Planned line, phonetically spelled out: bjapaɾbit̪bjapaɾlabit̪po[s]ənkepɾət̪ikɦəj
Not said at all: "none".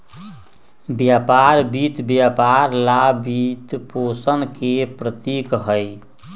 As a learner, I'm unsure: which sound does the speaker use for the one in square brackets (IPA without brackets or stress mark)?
s